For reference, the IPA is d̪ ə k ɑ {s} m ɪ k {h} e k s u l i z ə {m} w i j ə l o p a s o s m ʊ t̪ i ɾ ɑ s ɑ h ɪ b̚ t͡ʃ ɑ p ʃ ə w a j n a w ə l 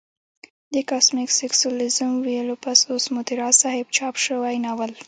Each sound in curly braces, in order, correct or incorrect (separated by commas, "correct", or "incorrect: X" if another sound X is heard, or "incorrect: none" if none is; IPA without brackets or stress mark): correct, incorrect: s, correct